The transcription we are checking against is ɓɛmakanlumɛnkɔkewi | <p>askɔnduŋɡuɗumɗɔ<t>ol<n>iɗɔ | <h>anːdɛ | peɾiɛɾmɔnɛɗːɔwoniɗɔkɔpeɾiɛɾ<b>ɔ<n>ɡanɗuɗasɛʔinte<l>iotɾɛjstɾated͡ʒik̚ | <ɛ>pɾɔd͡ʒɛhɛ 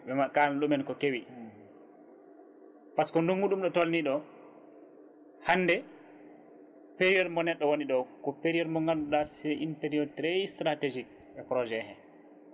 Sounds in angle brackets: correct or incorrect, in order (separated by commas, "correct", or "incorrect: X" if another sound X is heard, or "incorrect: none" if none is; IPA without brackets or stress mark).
correct, correct, correct, correct, incorrect: m, incorrect: ŋ, incorrect: ɾ, correct